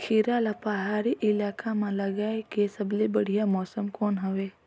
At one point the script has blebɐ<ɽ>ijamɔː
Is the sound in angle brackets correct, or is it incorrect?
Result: correct